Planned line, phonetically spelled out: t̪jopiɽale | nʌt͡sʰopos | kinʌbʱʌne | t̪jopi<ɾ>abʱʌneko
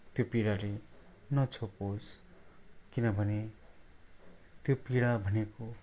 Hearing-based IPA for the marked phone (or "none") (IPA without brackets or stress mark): ɽ